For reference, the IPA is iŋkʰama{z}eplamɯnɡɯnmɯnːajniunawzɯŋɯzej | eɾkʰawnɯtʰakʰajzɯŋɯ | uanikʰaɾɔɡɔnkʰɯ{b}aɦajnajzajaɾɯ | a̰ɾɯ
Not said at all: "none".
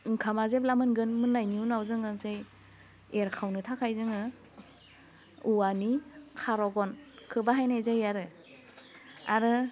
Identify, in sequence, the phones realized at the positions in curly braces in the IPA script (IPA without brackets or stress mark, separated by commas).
z, b